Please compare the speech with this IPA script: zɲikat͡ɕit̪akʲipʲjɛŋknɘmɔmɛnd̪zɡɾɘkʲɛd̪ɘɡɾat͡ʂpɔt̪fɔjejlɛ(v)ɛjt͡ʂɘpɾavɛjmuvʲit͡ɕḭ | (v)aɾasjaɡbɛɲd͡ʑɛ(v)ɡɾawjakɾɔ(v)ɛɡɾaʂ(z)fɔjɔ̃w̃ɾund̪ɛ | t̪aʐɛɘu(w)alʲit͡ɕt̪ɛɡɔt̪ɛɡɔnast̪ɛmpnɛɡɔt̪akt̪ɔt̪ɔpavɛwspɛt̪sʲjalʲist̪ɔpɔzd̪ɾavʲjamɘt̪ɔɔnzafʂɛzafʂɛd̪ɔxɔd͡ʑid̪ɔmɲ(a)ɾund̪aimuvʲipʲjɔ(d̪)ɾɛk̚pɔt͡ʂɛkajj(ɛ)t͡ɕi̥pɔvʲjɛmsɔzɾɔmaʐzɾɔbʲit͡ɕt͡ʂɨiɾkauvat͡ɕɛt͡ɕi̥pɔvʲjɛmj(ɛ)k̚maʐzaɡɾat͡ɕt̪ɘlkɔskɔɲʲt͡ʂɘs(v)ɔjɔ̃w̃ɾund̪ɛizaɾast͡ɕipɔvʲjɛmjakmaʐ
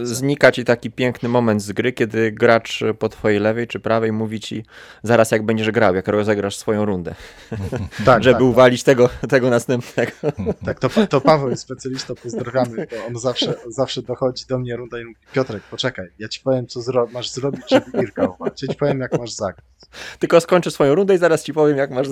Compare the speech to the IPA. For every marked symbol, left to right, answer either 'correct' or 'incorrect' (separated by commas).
correct, incorrect, incorrect, incorrect, incorrect, incorrect, incorrect, incorrect, incorrect, incorrect, incorrect